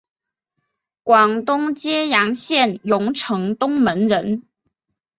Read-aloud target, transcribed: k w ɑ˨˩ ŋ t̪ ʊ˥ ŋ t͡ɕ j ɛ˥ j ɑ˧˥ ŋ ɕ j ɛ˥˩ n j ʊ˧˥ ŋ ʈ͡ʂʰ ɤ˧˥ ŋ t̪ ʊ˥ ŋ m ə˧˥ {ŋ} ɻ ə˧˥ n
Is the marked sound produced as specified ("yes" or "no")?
no